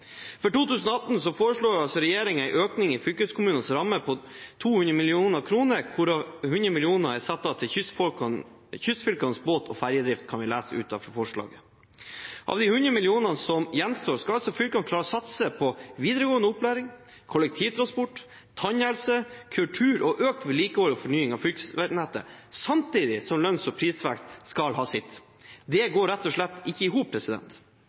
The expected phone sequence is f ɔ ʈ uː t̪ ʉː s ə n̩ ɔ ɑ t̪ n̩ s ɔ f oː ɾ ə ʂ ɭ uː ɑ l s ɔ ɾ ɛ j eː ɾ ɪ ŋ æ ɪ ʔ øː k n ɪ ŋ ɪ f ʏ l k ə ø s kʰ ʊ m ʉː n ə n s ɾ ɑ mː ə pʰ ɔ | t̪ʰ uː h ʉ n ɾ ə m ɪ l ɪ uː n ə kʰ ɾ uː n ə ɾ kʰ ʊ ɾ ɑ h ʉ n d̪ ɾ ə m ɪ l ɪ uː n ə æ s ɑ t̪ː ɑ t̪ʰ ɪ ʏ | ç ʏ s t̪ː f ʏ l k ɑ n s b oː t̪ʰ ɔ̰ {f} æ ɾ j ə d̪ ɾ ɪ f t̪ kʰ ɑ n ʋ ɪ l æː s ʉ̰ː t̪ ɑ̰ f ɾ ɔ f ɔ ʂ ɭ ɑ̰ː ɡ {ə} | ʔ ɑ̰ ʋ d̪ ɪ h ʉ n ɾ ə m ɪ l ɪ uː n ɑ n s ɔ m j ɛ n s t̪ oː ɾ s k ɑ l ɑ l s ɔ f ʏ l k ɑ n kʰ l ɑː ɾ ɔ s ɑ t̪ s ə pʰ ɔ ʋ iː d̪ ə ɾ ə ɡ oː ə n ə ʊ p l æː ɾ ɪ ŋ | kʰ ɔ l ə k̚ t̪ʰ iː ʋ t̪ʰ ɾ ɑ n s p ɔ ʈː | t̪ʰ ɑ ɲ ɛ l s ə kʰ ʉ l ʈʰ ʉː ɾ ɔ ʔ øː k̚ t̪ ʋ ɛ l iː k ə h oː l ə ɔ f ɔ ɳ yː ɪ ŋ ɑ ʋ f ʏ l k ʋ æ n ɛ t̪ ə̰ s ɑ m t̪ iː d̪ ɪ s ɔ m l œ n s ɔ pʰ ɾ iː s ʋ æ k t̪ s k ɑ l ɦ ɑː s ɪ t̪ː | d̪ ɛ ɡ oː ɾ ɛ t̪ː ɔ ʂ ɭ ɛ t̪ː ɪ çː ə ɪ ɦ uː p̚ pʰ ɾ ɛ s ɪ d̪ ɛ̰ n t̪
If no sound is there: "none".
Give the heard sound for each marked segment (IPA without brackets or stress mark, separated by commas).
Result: f, ə